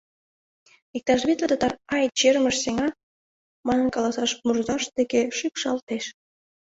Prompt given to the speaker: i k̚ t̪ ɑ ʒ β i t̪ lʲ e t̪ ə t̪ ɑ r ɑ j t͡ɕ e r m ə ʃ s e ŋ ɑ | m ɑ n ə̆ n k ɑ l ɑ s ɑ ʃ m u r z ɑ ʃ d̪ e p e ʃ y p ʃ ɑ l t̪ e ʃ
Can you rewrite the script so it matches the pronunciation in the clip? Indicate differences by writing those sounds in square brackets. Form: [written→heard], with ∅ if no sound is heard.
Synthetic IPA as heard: i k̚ t̪ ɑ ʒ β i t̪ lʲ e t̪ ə t̪ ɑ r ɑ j t͡ɕ e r m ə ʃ s e ŋ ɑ | m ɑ n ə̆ n k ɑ l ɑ s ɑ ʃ m u r z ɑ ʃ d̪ e [p→k] e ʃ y p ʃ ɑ l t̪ e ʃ